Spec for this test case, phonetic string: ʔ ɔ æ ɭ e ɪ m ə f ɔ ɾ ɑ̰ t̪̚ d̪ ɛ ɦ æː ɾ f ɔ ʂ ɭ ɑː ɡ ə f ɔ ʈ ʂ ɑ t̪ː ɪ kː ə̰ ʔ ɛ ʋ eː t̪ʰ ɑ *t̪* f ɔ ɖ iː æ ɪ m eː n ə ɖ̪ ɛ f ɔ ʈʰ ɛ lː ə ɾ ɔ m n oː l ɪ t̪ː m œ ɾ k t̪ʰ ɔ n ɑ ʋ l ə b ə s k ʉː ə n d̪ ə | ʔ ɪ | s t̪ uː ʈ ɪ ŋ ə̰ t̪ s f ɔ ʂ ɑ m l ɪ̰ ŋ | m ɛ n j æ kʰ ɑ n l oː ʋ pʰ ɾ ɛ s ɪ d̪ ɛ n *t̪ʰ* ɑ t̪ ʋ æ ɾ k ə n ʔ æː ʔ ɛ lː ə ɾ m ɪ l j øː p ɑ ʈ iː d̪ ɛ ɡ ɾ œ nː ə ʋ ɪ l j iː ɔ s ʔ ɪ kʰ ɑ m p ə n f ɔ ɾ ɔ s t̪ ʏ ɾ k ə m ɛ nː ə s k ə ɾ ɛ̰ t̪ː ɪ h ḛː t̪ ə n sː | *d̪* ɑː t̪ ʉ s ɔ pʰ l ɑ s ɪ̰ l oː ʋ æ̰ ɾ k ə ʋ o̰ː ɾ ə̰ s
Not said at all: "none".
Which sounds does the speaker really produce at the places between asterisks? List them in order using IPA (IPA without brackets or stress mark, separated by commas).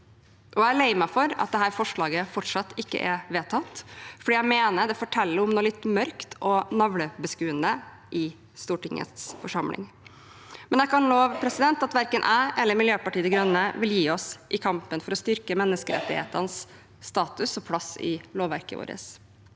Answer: t̪, t̪, t̪